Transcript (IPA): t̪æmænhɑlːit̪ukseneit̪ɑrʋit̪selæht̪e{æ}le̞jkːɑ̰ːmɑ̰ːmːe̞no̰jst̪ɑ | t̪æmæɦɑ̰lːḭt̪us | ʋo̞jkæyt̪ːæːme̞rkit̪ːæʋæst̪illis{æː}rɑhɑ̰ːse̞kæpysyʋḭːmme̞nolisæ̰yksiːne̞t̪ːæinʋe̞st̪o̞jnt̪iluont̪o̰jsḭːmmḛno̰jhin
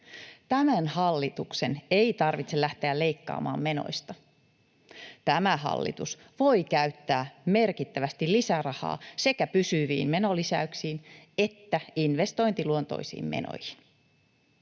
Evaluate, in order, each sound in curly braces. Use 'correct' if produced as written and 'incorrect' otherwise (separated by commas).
correct, incorrect